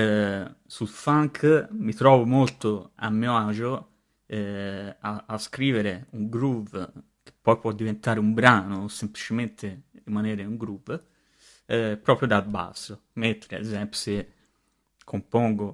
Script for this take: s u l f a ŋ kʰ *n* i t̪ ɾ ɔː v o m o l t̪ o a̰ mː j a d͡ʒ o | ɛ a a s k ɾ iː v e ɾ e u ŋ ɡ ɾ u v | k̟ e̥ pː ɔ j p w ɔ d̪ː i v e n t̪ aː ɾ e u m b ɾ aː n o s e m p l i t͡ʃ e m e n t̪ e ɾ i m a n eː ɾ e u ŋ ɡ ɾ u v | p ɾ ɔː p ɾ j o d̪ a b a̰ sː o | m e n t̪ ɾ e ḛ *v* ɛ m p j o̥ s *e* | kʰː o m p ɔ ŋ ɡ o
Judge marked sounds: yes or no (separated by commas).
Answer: no, no, yes